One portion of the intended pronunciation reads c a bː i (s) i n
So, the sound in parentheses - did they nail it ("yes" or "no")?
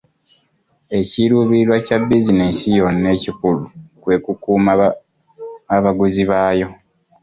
no